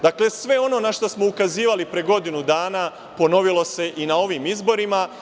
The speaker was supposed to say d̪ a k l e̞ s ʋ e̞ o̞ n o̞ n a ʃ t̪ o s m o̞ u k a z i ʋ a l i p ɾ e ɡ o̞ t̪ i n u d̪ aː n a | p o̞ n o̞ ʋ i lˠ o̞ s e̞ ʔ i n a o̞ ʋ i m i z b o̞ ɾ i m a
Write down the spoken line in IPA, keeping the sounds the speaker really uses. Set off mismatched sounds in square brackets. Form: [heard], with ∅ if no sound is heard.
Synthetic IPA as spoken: d̪ a k l e̞ s ʋ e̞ o̞ n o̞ n a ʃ t̪ o s m o̞ u k a z [iː] ʋ a l i p ɾ e ɡ o̞ [d̪] i n u d̪ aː n a | p o̞ n o̞ ʋ i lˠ o̞ s e̞ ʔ i n a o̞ ʋ i m i z b o̞ ɾ i m a